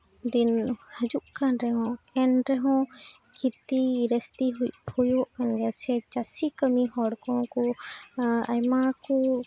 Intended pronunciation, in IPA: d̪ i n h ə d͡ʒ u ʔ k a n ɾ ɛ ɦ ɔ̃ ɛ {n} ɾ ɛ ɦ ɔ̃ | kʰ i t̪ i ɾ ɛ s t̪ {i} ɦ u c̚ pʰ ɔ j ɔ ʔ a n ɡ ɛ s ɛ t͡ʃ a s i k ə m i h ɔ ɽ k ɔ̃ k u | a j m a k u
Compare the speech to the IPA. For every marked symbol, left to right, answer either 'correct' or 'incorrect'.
correct, correct

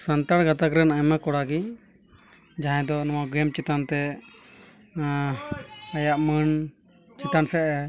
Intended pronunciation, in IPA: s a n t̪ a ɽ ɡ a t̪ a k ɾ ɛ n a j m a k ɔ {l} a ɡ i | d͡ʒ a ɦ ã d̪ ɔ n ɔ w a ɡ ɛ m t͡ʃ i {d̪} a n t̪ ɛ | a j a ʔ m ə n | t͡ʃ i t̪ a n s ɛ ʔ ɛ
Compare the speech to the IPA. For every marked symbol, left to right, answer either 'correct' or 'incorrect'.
incorrect, incorrect

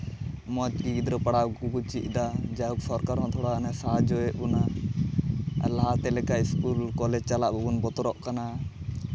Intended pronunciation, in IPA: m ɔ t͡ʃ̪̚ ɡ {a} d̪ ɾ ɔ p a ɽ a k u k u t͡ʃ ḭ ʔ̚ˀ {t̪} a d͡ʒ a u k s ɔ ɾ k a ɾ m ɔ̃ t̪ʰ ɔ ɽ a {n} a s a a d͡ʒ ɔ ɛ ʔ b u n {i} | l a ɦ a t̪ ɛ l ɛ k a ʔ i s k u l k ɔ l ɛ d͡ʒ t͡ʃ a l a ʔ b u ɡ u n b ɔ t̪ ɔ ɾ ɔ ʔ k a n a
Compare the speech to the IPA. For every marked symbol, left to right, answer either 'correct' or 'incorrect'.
incorrect, incorrect, correct, incorrect

